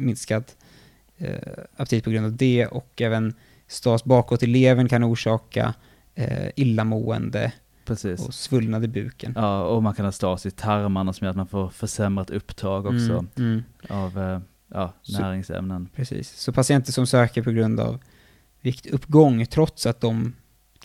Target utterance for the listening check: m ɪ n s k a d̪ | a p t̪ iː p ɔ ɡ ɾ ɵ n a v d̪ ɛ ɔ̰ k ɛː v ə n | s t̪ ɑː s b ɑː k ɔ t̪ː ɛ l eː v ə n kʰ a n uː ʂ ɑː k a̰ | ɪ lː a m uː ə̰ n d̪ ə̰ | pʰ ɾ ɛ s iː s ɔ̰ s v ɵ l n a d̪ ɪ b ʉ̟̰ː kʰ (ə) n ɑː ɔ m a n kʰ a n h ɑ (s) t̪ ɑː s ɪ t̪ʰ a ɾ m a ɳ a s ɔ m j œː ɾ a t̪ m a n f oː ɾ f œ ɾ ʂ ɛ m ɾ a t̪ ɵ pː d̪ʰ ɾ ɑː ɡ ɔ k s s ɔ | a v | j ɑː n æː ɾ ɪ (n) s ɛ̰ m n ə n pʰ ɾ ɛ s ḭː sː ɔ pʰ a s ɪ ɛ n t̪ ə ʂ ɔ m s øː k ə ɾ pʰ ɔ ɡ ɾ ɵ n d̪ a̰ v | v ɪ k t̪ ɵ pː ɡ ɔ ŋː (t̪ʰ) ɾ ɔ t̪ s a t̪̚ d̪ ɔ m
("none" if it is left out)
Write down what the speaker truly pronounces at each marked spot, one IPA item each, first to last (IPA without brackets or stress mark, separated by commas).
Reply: ə, s, ŋ, t̪ʰ